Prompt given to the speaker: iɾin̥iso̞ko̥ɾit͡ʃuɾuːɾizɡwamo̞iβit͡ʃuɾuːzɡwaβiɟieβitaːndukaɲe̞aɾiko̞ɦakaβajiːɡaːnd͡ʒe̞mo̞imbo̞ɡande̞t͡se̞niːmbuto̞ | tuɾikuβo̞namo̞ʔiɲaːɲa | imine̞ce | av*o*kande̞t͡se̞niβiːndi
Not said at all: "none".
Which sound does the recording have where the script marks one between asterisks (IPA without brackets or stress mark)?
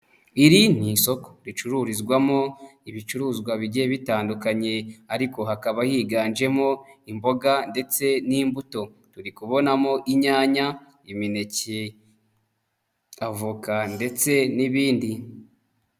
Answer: u